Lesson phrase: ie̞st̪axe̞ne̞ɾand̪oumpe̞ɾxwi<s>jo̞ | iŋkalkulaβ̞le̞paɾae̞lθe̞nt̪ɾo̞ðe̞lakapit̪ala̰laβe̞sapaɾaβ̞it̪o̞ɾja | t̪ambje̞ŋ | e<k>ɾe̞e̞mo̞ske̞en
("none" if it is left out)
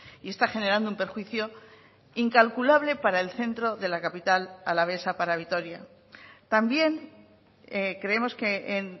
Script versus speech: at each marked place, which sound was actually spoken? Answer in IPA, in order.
θ, k

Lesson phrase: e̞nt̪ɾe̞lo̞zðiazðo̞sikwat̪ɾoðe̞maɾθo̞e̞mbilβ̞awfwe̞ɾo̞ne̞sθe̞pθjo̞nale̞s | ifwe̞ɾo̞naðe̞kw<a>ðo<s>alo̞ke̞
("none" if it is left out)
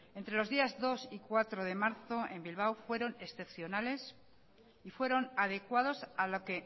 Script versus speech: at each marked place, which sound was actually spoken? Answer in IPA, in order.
a, s

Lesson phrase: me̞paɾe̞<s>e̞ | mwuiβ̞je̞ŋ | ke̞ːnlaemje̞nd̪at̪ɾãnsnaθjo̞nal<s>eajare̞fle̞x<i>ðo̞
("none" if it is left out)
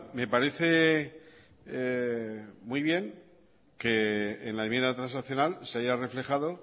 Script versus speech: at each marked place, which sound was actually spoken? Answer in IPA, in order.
θ, s, a

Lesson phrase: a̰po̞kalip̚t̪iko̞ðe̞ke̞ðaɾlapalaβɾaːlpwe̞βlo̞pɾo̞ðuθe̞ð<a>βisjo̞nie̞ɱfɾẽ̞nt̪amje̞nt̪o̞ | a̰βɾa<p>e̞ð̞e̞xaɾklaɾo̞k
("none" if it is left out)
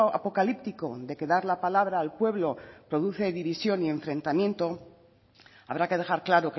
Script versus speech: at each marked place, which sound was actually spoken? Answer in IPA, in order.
i, k

